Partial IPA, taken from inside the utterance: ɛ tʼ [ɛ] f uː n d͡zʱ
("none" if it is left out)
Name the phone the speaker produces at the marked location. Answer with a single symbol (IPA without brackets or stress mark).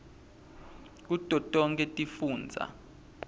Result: i